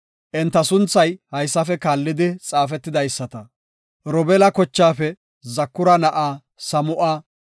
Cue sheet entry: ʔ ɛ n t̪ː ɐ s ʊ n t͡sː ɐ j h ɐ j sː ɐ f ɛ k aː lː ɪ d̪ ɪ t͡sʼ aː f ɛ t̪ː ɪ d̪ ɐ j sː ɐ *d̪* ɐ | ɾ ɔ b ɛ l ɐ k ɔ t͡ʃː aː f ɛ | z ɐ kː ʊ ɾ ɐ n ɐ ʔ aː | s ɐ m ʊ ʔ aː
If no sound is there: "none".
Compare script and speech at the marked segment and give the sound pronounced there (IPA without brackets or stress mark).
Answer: t̪